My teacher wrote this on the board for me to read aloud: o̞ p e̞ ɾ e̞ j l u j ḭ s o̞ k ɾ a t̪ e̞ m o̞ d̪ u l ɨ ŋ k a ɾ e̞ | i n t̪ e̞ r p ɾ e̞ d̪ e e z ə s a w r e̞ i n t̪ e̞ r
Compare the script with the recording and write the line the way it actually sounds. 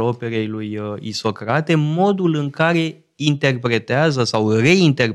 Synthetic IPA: o̞ p e̞ ɾ e̞ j l u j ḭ s o̞ k ɾ a t̪ e̞ m o̞ d̪ u l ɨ ŋ k a ɾ e̞ | i n t̪ e̞ r p ɾ e̞ t̪ e a z ə s a w r e̞ i n t̪ e̞ r